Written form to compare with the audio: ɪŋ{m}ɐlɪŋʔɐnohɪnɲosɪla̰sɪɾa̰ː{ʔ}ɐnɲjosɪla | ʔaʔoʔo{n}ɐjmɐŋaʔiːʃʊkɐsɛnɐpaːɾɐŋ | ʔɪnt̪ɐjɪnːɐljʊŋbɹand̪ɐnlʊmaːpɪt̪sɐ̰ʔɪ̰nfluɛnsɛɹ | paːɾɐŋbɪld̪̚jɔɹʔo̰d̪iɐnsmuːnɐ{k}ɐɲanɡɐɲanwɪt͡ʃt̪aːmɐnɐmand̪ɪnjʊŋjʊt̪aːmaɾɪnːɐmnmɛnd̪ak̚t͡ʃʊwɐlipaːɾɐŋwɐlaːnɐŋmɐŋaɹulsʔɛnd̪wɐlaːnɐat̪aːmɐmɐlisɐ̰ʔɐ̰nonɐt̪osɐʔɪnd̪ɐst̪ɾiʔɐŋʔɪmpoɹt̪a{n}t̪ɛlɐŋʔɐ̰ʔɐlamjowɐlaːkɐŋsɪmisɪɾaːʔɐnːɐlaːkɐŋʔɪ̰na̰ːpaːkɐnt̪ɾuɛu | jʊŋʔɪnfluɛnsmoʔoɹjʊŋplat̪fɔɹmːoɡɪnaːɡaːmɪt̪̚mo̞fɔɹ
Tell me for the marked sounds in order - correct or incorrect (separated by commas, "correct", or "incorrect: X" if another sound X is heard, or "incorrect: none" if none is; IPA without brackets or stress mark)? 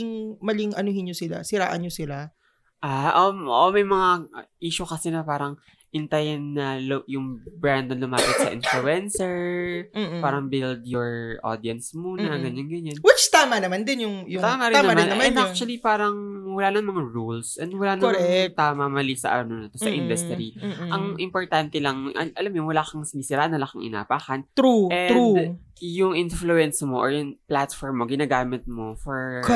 correct, correct, incorrect: m, incorrect: ɡ, correct